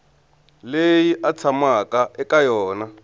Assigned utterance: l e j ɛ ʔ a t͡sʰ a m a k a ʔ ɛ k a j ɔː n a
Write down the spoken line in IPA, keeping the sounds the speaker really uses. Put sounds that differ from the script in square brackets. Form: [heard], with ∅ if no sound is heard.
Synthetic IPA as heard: l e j [i] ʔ a t͡sʰ a m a k a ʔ ɛ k a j ɔː n a